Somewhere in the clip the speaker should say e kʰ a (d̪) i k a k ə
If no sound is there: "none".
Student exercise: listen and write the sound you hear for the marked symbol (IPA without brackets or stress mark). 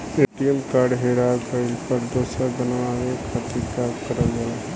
t̪